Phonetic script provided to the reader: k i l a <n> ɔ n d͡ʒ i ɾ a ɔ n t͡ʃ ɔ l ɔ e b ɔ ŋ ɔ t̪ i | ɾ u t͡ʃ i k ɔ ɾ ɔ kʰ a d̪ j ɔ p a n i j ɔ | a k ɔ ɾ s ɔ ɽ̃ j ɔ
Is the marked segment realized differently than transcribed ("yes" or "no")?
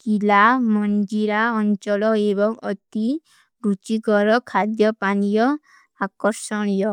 yes